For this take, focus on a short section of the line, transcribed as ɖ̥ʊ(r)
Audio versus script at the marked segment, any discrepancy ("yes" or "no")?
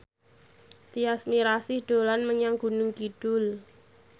yes